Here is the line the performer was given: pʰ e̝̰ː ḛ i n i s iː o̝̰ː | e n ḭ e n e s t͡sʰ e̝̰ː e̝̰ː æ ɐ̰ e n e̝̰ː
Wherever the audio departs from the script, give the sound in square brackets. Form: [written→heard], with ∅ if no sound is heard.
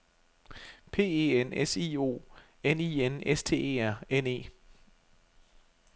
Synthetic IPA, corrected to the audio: pʰ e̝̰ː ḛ [i→e] n [i→e] s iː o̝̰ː | e n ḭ e n e s t͡sʰ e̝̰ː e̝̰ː æ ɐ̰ e n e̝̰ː